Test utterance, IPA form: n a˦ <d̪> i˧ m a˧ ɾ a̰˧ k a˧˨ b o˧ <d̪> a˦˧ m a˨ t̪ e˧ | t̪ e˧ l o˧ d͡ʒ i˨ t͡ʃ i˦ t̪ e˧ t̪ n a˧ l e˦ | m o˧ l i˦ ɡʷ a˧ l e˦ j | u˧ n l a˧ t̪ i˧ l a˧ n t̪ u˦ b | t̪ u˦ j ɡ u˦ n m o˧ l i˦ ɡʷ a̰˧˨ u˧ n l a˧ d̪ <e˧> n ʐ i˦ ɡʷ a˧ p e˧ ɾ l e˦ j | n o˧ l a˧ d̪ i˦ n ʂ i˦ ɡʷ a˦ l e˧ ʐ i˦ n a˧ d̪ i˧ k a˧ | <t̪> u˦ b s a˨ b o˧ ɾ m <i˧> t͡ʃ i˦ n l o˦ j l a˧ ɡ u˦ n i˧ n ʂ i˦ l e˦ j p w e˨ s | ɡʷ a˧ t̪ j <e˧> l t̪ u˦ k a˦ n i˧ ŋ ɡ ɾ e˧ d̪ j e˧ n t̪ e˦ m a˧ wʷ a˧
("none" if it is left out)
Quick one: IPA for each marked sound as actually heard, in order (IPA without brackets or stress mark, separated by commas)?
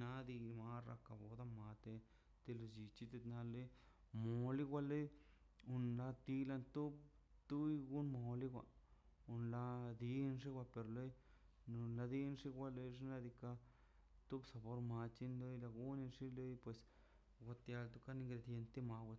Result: d̪, d̪, i˧, t̪, a˧, a˧